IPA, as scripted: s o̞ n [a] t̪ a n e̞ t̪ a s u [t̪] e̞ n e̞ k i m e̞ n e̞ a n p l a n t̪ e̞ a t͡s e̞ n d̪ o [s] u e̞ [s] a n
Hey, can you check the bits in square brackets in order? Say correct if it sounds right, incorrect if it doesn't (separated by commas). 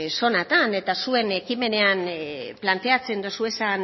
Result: correct, incorrect, correct, correct